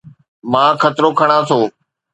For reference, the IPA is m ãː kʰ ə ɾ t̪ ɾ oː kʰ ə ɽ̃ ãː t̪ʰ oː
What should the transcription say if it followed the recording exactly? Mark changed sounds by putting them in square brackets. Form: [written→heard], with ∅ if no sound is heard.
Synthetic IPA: m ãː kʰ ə [ɾ→∅] t̪ ɾ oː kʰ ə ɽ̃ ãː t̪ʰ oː

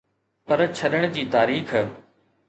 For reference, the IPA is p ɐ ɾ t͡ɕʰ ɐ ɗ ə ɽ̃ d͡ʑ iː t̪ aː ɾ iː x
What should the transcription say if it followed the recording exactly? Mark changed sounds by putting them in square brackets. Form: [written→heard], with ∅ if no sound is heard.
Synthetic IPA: p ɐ ɾ t͡ɕʰ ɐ ɗ ə ɽ̃ d͡ʑ iː t̪ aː ɾ iː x

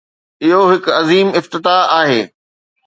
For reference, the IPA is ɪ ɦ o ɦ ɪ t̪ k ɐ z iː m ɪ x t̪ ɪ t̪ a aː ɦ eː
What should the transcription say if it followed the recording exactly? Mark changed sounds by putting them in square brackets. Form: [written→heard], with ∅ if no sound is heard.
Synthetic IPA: ɪ ɦ o ɦ ɪ [t̪→∅] k ɐ z iː m ɪ [x→f] t̪ ɪ t̪ a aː ɦ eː

